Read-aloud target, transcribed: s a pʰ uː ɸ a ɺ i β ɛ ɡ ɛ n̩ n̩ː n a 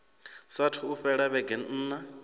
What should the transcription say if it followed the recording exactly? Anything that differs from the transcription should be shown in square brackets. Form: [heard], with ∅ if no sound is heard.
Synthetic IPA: s a [tʰ] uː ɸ [ɛ] ɺ [a] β ɛ ɡ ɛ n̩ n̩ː n a